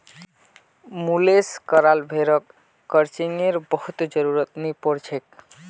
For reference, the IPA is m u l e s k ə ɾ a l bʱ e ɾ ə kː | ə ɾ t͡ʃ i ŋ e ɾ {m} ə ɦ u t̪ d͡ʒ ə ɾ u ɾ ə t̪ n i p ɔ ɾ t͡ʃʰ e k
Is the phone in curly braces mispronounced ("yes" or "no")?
yes